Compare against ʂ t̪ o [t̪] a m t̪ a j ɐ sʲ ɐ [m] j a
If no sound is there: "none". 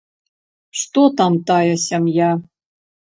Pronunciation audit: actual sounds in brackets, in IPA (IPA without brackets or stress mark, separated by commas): t̪, m